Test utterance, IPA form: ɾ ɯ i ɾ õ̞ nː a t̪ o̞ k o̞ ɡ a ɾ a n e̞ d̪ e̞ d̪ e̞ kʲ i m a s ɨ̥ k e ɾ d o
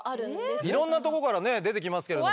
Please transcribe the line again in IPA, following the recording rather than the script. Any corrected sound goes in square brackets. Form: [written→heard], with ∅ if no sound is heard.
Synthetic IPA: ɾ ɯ i ɾ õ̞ nː a t̪ o̞ k o̞ [ɡ→k] a ɾ a n e̞ d̪ e̞ [d̪→t̪] e̞ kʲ i m a s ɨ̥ k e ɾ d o

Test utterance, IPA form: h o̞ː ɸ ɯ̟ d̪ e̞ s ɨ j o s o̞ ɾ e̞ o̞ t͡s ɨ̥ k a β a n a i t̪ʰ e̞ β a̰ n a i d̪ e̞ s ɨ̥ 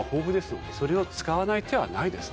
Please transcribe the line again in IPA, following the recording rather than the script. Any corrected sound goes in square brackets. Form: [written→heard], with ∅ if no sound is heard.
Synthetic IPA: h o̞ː ɸ ɯ̟ d̪ e̞ s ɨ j o s o̞ ɾ e̞ o̞ t͡s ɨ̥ k a β a n a i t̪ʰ e̞ β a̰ n a i d̪ e̞ s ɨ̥

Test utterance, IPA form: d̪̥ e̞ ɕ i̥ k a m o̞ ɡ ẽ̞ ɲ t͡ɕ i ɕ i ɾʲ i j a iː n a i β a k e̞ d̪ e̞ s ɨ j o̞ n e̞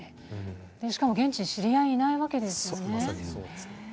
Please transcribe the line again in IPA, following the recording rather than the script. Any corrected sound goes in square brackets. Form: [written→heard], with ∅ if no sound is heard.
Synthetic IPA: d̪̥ e̞ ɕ i̥ k a m o̞ ɡ ẽ̞ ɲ t͡ɕ i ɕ i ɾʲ i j a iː n a i β a k e̞ d̪ e̞ s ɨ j o̞ n e̞

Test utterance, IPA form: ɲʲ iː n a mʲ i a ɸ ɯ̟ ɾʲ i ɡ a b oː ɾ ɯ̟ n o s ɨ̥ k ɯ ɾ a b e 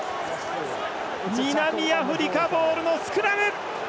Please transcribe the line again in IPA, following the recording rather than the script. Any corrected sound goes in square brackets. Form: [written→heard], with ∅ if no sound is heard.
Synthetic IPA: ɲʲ [iː→i] n a mʲ i a ɸ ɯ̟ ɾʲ i [ɡ→k] a b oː ɾ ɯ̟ n o s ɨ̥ k ɯ ɾ a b e

